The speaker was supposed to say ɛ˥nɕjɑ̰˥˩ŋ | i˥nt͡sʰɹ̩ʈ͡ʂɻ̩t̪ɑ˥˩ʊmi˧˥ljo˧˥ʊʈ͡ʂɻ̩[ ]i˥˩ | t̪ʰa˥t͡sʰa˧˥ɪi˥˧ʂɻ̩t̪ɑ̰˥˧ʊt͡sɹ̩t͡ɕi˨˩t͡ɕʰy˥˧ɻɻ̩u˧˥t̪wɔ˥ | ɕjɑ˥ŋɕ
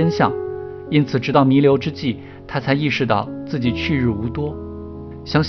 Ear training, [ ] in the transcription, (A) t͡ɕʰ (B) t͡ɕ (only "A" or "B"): B